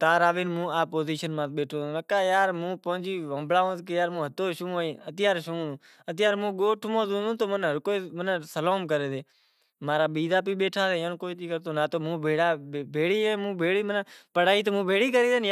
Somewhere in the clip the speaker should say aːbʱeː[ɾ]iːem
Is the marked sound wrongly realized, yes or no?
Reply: yes